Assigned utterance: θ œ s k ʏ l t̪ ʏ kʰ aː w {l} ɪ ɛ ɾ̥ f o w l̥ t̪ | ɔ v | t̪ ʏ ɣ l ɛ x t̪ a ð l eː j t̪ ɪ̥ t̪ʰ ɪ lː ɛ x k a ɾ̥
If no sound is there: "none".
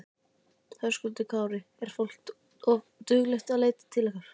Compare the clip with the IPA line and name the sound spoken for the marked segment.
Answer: ɾ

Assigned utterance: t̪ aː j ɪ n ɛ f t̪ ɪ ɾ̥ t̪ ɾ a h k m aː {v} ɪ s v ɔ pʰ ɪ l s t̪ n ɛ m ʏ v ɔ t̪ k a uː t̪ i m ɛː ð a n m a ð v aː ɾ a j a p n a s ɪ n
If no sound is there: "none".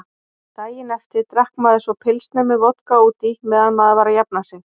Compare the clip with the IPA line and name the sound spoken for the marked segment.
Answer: ð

